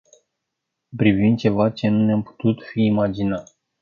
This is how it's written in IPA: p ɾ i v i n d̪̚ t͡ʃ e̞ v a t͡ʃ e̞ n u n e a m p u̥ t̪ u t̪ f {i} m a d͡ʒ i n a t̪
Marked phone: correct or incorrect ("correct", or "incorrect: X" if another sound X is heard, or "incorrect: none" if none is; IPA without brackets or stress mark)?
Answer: incorrect: iː